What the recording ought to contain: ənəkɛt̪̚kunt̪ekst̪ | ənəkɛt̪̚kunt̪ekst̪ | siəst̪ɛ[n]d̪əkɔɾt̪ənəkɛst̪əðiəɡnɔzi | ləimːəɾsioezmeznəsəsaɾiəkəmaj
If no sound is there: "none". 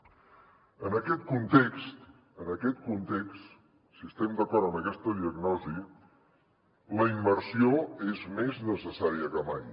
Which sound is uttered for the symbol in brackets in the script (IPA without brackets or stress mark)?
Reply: m